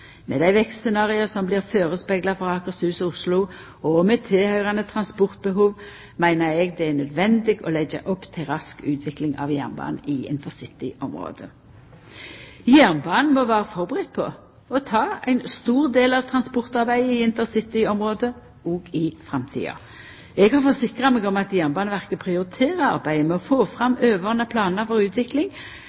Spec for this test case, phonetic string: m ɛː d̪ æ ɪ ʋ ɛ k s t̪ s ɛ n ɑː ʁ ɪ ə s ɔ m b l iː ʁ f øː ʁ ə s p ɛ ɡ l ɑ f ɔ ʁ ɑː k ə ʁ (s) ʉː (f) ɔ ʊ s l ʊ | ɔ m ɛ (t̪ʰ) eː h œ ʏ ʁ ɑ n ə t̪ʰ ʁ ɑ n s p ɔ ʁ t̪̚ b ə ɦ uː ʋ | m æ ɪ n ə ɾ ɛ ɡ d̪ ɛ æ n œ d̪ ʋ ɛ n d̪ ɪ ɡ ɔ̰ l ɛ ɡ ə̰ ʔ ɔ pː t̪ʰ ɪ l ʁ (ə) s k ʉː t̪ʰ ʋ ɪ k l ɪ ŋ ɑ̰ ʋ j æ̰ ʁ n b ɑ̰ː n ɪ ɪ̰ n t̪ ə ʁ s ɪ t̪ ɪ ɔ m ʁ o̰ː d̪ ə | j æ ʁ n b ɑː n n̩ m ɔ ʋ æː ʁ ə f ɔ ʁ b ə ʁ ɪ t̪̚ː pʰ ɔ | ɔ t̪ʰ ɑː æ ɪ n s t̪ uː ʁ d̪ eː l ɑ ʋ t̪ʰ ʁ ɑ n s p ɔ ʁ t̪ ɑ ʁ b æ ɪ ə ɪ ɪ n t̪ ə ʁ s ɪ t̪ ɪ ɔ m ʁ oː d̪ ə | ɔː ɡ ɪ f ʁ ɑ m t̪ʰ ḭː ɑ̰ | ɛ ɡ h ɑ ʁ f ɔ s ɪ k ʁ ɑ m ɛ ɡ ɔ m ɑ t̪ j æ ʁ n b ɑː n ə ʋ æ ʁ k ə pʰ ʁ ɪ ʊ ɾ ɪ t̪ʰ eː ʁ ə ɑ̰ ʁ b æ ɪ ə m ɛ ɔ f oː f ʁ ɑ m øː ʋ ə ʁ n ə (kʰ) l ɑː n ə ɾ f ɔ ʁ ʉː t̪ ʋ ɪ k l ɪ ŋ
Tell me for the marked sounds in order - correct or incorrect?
correct, incorrect: s, correct, incorrect: ɑ, incorrect: pʰ

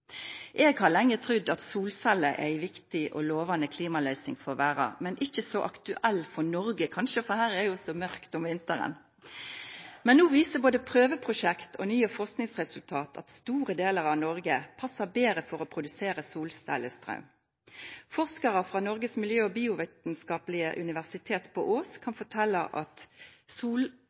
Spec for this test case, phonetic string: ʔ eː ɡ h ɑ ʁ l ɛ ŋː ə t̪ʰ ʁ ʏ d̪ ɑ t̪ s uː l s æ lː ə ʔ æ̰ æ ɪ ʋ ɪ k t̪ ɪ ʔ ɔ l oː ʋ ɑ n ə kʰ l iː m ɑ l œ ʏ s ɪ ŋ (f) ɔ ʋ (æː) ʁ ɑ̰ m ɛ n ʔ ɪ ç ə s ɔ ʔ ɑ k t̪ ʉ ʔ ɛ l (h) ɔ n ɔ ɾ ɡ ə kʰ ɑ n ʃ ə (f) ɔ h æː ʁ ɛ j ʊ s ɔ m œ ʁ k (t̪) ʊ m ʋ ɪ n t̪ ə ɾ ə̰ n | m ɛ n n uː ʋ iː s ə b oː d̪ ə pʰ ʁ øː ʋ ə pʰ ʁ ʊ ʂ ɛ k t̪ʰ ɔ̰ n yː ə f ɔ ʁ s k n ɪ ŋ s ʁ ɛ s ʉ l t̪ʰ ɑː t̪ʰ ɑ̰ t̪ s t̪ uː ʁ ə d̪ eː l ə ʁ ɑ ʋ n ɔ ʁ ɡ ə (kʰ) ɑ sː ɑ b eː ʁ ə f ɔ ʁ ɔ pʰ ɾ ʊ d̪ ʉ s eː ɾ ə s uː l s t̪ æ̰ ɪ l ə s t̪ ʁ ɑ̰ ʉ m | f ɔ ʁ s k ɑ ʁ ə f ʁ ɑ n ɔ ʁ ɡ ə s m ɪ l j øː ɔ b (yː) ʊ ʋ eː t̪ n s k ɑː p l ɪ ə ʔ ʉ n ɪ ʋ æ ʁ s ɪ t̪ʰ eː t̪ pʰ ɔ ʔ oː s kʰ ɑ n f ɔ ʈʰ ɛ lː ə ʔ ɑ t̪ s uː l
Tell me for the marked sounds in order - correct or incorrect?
correct, correct, incorrect: f, correct, correct, incorrect: pʰ, incorrect: iː

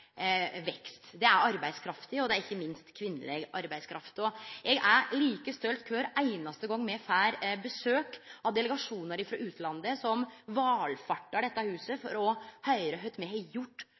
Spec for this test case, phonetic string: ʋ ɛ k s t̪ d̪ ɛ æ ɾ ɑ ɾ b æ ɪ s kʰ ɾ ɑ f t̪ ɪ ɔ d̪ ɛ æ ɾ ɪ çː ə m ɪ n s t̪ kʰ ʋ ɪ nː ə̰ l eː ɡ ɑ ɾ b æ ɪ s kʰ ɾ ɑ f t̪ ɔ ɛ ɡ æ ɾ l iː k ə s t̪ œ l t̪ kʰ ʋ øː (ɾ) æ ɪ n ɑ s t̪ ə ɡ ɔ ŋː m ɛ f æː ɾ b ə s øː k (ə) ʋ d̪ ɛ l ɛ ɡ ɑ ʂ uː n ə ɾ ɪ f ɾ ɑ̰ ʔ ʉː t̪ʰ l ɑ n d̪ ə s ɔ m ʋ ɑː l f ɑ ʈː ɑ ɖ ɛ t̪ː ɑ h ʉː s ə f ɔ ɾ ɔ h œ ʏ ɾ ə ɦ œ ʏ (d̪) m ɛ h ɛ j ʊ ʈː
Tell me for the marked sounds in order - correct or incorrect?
correct, incorrect: ɑ, incorrect: t̪

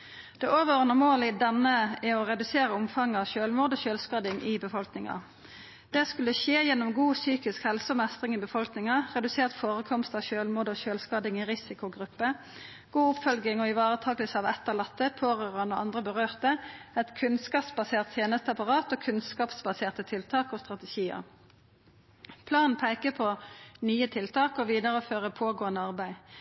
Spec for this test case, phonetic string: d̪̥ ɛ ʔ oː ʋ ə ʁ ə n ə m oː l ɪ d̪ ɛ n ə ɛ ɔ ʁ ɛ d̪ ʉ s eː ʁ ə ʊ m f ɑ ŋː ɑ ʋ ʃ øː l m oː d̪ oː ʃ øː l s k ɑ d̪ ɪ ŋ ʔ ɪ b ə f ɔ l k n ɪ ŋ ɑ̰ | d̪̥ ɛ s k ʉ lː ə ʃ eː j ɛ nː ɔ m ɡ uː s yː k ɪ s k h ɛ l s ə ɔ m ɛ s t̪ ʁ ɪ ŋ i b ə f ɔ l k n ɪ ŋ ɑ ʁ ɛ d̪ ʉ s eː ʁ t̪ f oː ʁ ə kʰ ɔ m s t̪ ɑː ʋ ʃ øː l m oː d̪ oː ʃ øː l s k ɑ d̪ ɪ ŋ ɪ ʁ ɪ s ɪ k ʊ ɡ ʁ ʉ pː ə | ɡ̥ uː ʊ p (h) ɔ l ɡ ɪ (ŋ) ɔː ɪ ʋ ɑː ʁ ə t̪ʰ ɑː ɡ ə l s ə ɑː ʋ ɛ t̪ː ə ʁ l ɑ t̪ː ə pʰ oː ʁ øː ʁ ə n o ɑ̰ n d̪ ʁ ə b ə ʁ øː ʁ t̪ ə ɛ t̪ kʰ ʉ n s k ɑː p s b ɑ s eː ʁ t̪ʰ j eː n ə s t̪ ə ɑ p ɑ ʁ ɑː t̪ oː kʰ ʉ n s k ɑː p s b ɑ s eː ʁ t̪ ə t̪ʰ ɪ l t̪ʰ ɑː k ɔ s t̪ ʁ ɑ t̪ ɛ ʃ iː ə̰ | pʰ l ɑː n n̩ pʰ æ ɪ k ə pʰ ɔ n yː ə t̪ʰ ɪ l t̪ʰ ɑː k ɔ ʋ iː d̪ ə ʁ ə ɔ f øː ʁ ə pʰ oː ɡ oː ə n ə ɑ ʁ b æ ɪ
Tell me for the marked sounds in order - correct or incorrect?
incorrect: f, correct

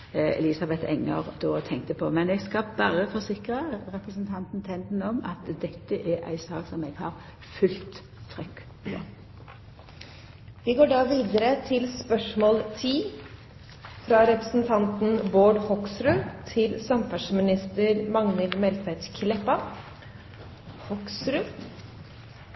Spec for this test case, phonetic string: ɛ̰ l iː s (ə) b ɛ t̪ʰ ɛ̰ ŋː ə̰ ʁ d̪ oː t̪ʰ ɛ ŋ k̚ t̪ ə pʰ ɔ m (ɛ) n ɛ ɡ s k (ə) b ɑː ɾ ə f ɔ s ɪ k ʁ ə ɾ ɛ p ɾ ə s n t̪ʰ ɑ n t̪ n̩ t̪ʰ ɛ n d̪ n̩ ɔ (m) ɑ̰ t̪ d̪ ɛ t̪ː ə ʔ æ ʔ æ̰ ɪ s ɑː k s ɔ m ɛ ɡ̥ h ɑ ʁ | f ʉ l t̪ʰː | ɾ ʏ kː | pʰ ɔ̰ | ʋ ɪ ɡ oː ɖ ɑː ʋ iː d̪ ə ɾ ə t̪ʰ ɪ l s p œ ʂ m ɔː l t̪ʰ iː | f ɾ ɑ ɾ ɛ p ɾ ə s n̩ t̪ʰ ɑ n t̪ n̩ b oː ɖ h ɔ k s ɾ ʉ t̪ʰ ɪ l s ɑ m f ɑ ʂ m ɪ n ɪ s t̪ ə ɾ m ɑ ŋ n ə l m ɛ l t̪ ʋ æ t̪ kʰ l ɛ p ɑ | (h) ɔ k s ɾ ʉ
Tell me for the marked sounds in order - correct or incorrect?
incorrect: ɑ, correct, incorrect: ɑ, correct, correct

